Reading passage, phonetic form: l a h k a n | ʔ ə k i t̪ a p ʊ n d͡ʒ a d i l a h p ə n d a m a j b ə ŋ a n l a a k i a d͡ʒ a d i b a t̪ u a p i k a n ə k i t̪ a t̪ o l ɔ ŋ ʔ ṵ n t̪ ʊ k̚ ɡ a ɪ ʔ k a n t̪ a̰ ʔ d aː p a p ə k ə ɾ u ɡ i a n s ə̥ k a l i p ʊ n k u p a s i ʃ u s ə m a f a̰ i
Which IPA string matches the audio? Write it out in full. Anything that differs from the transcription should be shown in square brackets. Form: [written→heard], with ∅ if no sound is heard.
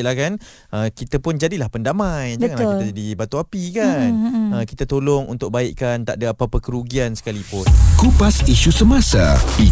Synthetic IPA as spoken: l a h k a n | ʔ ə k i t̪ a p ʊ n d͡ʒ a d i l a h p ə n d a m a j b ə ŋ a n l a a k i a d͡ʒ a d i b a t̪ u a p i k a n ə k i t̪ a t̪ o l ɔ ŋ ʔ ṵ n t̪ ʊ k̚ [ɡ→b] a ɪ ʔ k a n t̪ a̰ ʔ d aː p a p ə k ə ɾ u ɡ i a n s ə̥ k a l i p ʊ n k u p a s i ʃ u s ə m a [f→s] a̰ i